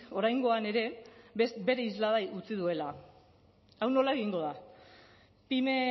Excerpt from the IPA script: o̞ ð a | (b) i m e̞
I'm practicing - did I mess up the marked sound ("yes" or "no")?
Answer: yes